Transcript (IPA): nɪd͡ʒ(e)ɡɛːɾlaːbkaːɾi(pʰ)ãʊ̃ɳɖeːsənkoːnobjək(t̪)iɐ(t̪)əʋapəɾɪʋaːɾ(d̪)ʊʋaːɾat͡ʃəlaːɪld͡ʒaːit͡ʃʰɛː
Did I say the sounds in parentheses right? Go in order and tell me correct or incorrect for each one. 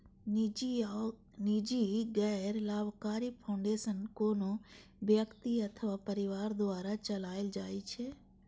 incorrect: i, correct, correct, incorrect: t̪ʰ, correct

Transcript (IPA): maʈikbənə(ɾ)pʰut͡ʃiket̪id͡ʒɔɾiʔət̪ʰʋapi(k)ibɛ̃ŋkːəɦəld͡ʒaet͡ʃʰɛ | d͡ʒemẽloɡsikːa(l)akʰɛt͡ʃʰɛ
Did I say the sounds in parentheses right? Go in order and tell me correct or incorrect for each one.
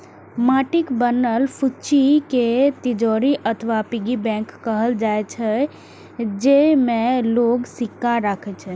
incorrect: l, incorrect: ɡ, incorrect: ɾ

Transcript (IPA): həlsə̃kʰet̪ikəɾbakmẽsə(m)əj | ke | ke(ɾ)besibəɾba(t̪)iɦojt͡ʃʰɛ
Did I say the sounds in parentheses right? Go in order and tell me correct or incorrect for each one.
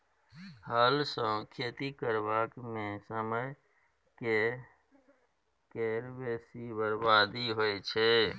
correct, correct, incorrect: d̪

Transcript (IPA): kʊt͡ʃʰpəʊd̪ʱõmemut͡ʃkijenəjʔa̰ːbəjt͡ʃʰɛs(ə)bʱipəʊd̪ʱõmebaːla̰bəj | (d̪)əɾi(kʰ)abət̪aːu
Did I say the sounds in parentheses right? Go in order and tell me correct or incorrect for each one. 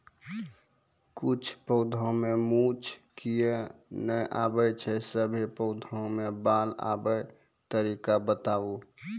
correct, incorrect: t̪, incorrect: k

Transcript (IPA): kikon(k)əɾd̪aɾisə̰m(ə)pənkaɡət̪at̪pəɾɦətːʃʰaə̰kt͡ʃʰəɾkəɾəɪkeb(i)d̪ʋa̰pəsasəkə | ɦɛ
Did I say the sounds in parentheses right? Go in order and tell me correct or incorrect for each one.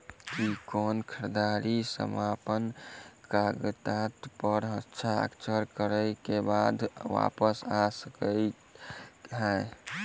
incorrect: kʰ, incorrect: a, incorrect: a

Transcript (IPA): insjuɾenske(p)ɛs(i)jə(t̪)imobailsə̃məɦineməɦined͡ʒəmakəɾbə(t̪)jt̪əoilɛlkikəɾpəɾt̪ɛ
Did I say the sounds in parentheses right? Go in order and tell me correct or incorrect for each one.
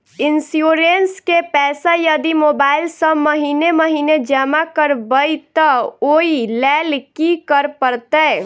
correct, incorrect: a, incorrect: d̪, incorrect: none

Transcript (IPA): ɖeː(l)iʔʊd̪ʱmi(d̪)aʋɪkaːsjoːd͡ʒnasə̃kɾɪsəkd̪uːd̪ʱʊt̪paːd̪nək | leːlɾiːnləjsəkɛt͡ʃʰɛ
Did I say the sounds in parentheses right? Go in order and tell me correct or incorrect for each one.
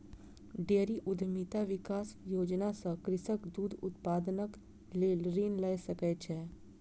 incorrect: ɾ, incorrect: t̪

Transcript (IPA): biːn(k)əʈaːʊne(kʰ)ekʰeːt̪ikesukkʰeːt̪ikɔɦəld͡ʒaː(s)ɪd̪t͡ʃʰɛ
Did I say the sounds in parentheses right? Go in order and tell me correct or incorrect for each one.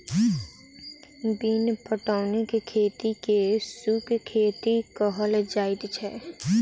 incorrect: p, incorrect: k, incorrect: none

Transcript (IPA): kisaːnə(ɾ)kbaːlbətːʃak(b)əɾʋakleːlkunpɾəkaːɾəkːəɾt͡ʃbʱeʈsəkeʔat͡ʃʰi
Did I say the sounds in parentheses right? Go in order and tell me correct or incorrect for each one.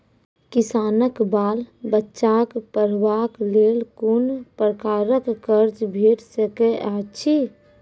incorrect: none, incorrect: p

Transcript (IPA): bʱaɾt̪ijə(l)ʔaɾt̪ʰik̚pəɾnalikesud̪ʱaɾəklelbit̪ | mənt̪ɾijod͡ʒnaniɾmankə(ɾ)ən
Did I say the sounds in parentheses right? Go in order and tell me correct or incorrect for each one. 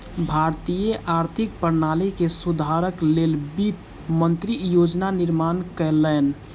incorrect: none, incorrect: l

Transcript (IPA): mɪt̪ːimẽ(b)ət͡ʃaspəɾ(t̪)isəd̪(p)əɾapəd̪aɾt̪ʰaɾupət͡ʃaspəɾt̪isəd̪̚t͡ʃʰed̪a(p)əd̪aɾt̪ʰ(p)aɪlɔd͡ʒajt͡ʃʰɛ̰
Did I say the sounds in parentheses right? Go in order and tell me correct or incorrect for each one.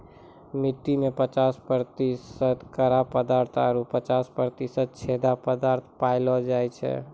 incorrect: p, correct, incorrect: k, correct, correct

